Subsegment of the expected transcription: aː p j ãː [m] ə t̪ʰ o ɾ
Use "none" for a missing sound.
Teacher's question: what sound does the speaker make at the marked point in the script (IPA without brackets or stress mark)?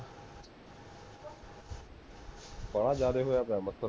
m